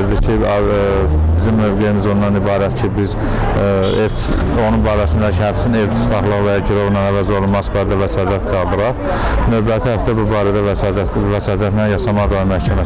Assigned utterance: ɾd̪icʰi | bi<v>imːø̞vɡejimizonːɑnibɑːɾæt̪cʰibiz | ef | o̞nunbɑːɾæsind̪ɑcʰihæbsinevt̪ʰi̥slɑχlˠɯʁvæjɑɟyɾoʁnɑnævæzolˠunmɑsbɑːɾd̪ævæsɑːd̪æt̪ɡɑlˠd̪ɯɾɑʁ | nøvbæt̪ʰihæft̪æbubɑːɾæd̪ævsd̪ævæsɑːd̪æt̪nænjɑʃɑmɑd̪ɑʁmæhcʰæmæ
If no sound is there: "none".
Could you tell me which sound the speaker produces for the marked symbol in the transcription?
z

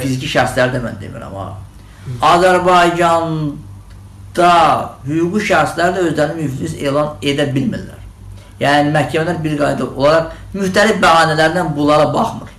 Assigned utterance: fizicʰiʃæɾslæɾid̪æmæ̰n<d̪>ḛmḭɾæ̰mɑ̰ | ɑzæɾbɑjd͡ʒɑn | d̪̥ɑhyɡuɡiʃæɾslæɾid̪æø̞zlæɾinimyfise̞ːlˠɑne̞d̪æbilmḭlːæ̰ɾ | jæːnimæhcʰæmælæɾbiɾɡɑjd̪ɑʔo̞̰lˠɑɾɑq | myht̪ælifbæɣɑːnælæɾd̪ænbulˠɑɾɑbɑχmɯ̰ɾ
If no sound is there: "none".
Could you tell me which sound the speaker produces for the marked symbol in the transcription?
d̪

